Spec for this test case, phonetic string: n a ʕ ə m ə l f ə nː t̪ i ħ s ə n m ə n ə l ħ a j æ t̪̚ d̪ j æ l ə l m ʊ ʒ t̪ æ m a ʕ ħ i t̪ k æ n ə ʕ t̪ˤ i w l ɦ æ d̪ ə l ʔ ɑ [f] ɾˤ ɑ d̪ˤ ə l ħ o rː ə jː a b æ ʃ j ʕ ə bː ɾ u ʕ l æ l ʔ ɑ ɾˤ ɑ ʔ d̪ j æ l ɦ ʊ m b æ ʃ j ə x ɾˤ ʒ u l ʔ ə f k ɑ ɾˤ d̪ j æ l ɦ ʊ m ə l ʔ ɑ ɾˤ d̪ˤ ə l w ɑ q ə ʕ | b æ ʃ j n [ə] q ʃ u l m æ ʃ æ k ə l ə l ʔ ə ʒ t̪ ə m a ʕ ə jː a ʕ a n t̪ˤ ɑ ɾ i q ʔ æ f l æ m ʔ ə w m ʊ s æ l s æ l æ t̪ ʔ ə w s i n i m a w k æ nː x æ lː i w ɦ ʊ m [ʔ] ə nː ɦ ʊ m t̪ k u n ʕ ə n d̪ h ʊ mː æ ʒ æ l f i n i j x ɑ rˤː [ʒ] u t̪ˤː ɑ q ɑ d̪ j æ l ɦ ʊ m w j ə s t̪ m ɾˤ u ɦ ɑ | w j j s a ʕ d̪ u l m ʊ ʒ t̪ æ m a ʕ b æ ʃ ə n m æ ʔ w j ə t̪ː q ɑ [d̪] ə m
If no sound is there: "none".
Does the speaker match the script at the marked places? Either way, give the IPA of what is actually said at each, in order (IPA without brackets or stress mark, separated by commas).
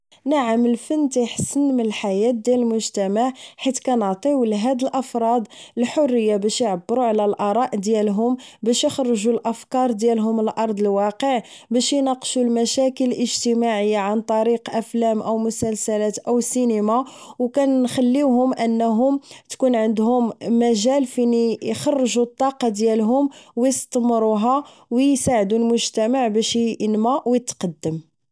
f, ɑ, ʔ, ʒ, d̪ː